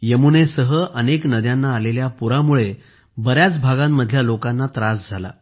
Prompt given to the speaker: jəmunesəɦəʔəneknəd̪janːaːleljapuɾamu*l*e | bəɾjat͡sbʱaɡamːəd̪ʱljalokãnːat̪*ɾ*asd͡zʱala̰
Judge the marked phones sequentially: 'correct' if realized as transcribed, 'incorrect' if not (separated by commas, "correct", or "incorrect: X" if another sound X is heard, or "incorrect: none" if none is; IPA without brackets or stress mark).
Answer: incorrect: ɭ, correct